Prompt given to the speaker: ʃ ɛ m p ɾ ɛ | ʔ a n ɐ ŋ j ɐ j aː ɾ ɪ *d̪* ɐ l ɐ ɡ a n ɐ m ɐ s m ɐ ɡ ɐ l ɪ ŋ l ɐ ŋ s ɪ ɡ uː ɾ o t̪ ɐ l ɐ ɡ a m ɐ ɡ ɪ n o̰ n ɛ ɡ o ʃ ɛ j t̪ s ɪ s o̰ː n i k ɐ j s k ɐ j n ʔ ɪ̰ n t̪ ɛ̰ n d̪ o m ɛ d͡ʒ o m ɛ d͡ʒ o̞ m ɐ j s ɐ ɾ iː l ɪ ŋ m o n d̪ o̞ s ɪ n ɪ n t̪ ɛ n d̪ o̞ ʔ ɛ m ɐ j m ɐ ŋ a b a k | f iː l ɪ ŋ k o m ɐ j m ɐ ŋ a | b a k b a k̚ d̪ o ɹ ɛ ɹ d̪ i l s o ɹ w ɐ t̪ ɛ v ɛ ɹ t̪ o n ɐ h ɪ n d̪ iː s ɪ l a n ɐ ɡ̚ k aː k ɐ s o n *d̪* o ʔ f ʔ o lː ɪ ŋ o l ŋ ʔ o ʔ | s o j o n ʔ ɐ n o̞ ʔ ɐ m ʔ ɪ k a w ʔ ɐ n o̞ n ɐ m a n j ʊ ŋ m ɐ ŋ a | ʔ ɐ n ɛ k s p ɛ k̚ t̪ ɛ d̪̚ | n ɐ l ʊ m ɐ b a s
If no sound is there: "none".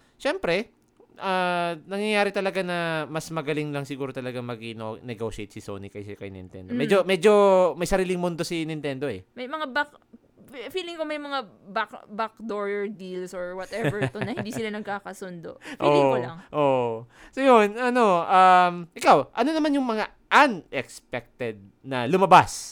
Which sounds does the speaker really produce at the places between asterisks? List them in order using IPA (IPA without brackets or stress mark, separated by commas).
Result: t̪, d̪